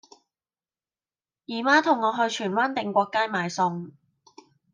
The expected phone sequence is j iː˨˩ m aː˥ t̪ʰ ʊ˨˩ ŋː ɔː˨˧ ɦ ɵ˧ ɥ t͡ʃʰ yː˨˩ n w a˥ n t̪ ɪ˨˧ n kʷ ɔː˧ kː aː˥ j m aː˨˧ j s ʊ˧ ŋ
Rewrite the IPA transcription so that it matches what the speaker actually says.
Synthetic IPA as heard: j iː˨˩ m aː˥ t̪ʰ ʊ˨˩ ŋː ɔː˨˧ ɦ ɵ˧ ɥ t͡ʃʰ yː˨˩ n w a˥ n t̪ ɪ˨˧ ŋ kʷ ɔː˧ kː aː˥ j m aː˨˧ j s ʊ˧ ŋ